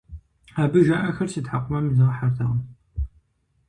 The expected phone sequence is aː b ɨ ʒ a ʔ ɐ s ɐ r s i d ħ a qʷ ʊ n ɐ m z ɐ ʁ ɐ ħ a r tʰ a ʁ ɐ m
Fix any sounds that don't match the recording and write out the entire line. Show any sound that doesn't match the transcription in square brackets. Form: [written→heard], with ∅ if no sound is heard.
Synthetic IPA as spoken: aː b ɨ ʒ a ʔ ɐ [s→x] ɐ r s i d ħ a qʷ ʊ [n→m] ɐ m z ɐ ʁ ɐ ħ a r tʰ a ʁ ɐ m